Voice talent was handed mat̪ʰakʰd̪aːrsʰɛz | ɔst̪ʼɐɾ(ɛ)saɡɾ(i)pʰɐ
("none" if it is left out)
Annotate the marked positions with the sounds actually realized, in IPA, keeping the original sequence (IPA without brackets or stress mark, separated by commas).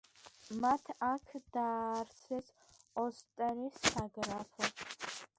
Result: i, a